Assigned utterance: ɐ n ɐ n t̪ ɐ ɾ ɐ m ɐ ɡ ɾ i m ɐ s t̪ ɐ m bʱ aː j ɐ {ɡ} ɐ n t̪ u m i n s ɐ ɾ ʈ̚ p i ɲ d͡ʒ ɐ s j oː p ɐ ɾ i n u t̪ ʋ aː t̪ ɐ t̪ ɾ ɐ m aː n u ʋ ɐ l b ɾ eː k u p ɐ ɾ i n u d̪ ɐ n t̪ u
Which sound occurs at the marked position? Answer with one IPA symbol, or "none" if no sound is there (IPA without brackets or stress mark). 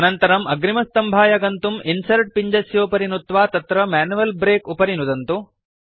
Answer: ɡ